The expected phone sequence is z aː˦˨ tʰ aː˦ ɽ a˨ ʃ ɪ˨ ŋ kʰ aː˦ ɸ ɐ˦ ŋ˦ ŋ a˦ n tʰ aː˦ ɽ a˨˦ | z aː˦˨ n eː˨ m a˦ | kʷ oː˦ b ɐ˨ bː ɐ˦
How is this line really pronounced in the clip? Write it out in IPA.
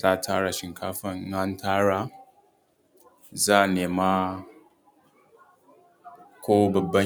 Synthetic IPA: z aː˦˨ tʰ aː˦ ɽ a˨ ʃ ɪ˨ ŋ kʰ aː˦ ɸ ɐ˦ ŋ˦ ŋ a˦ n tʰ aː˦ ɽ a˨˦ | z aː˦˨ n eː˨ m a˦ | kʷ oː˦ b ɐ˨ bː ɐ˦